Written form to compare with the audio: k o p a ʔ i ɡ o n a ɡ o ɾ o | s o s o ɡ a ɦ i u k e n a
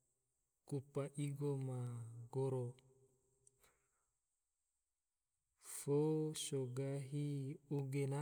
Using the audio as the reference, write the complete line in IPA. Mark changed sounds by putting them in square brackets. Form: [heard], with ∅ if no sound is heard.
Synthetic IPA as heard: k [u] p a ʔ i ɡ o [m] a ɡ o ɾ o | [f] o s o ɡ a ɦ i u [ɡ] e n a